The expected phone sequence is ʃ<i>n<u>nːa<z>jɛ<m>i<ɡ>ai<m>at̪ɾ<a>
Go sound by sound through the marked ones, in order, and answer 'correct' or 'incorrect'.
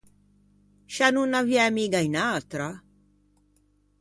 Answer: incorrect: a, correct, incorrect: v, correct, correct, incorrect: n, correct

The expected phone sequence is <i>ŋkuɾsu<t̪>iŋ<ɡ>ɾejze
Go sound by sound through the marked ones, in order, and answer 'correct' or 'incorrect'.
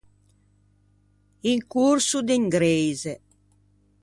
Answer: correct, incorrect: d̪, correct

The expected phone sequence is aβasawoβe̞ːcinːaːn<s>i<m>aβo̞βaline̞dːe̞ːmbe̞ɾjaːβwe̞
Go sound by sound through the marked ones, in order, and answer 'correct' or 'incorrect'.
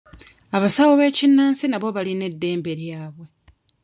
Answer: correct, incorrect: n

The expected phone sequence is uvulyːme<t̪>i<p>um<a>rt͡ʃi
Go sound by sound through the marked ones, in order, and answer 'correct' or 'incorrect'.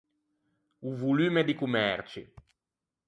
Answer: incorrect: d̪, incorrect: k, incorrect: ɛ

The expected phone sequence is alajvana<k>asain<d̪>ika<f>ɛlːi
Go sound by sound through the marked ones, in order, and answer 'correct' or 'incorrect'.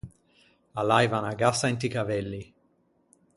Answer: incorrect: ɡ, incorrect: t̪, incorrect: v

